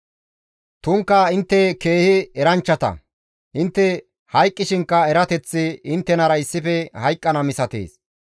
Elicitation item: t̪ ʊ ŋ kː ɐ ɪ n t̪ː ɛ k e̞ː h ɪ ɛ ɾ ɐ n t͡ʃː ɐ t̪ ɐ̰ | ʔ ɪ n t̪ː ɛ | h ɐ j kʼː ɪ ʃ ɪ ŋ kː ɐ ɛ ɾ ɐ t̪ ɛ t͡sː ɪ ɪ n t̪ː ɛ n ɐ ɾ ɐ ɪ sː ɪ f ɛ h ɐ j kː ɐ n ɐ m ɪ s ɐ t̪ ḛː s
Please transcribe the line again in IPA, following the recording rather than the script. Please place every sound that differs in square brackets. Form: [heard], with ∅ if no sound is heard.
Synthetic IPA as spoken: t̪ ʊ ŋ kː ɐ ɪ n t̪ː ɛ k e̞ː h ɪ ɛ ɾ ɐ n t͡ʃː ɐ t̪ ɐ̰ | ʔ ɪ n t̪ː ɛ | h ɐ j kʼː ɪ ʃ ɪ ŋ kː ɐ ɛ ɾ ɐ t̪ ɛ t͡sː ɪ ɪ n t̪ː ɛ n ɐ ɾ ɐ ɪ sː ɪ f ɛ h ɐ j [kʼː] ɐ n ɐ m ɪ s ɐ t̪ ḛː s